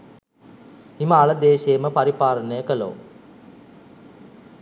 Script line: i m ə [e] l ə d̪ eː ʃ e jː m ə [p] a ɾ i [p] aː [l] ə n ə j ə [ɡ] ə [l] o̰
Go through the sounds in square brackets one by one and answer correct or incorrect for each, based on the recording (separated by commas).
incorrect, correct, correct, incorrect, incorrect, correct